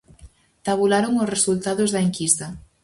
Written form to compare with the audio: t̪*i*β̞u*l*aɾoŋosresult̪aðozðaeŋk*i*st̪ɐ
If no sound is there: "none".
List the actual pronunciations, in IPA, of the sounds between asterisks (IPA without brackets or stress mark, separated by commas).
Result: a, l, i